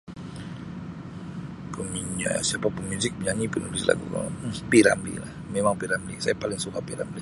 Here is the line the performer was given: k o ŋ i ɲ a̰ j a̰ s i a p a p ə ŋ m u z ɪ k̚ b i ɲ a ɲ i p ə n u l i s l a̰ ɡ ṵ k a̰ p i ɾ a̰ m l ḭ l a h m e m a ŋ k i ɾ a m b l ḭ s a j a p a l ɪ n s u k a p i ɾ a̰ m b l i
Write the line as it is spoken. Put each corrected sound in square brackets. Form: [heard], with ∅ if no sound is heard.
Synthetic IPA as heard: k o [m] i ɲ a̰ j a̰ s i a p a p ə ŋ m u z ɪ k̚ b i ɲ a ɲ i p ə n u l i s l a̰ ɡ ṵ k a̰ p i ɾ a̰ m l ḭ l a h m e m a ŋ [p] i ɾ a m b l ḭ s a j a p a l ɪ [ŋ] s u k a p i ɾ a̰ m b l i